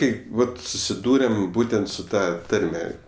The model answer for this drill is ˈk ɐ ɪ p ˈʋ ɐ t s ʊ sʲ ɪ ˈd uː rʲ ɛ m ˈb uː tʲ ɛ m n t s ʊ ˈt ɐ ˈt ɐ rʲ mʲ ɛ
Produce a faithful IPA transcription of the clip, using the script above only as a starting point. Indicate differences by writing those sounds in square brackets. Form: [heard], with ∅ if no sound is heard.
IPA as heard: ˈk ɐ ɪ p ˈʋ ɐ t s ʊ sʲ ɪ ˈd uː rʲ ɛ m ˈb uː tʲ ɛ [∅] n t s ʊ ˈt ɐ ˈt ɐ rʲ mʲ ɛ